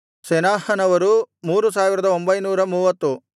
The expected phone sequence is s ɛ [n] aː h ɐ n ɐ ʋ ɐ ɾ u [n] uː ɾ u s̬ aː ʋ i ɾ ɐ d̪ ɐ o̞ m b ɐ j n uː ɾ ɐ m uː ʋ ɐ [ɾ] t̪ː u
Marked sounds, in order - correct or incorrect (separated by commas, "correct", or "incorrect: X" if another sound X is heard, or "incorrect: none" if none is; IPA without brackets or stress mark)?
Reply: correct, incorrect: m, incorrect: none